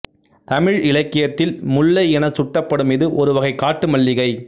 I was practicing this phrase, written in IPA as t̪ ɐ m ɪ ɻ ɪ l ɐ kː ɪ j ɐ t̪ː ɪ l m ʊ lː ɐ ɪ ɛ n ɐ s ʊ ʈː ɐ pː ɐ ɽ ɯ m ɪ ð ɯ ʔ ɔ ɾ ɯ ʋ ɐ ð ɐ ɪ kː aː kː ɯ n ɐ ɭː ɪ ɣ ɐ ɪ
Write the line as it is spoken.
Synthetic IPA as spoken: t̪ ɐ m ɪ ɻ ɪ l ɐ kː ɪ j ɐ t̪ː ɪ l m ʊ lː ɐ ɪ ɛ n ɐ s ʊ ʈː ɐ pː ɐ ɽ ɯ m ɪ ð ɯ ʔ ɔ ɾ ɯ ʋ ɐ ɣ ɐ ɪ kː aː ʈː ɯ m ɐ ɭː ɪ ɣ ɐ ɪ